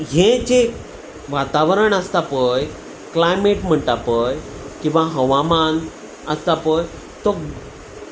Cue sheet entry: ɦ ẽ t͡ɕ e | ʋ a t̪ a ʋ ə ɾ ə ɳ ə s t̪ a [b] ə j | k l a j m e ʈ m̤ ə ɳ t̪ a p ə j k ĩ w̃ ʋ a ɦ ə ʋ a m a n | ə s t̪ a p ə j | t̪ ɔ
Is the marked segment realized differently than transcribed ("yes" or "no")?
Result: yes